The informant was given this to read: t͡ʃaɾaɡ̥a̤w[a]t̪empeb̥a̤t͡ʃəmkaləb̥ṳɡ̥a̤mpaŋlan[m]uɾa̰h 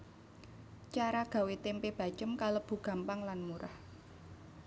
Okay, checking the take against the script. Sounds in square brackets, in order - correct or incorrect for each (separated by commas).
incorrect, correct